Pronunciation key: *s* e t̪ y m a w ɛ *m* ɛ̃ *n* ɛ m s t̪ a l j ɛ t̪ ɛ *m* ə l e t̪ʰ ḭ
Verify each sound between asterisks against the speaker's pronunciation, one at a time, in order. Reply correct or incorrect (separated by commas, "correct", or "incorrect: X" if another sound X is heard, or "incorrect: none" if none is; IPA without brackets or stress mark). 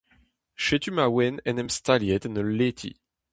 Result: incorrect: ʃ, incorrect: n, correct, incorrect: n